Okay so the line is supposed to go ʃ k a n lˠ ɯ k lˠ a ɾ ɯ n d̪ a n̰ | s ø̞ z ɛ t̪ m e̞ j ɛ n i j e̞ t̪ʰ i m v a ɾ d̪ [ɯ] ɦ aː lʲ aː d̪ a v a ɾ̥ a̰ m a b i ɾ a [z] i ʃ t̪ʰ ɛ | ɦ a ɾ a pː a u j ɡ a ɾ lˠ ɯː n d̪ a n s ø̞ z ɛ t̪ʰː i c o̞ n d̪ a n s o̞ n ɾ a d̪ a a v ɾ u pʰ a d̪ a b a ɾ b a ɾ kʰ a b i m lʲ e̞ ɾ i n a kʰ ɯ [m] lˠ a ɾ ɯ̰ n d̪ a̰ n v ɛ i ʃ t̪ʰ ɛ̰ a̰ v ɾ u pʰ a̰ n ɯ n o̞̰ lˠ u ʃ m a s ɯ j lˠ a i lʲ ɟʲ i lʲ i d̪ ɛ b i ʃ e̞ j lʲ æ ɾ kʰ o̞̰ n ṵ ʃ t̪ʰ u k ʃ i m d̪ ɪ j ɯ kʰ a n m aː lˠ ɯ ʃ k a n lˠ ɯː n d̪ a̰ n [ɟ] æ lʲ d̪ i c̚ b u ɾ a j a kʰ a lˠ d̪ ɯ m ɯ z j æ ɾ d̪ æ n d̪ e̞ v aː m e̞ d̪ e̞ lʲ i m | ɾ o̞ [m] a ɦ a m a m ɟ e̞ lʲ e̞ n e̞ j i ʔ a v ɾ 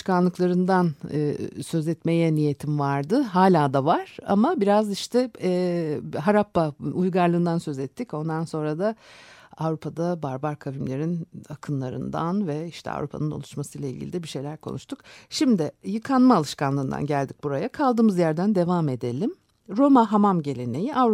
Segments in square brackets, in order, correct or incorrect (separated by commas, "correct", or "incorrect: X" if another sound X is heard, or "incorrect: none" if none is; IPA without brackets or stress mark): correct, correct, incorrect: n, correct, correct